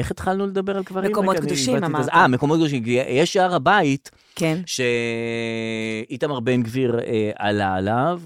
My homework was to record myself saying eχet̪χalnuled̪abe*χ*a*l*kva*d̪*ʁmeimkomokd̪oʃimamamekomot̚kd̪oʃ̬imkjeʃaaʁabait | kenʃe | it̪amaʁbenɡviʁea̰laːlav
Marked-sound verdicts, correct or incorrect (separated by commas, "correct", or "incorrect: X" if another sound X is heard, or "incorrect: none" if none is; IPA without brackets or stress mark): incorrect: ʁ, correct, incorrect: none